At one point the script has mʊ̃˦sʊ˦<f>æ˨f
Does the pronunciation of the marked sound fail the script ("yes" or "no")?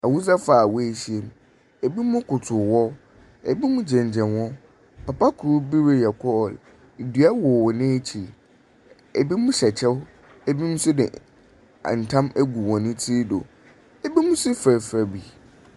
no